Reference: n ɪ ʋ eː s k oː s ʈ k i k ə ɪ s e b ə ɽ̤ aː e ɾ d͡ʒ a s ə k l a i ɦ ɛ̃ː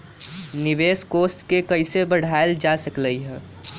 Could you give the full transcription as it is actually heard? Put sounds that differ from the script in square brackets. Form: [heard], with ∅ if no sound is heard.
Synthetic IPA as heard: n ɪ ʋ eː s k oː s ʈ k [e] k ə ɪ s e b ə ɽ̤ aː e [l] d͡ʒ a s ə k l [ə] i ɦ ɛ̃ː